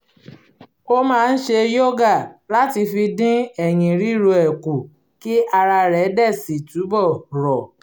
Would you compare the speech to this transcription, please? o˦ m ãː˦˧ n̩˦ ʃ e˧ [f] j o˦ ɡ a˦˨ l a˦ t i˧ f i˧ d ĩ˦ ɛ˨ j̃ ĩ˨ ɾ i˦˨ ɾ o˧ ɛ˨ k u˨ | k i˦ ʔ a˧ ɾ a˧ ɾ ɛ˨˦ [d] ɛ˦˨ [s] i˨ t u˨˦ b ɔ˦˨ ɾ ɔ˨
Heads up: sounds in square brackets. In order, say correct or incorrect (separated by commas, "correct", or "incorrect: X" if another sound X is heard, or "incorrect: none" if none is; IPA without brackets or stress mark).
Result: incorrect: none, correct, correct